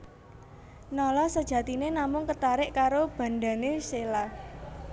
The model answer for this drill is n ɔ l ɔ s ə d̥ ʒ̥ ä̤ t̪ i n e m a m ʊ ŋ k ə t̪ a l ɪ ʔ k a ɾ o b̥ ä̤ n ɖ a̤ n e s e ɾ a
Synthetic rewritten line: n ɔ l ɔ s ə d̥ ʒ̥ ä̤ t̪ i n e n a m ʊ ŋ k ə t̪ a ɾ ɪ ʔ k a ɾ o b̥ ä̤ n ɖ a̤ n e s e l a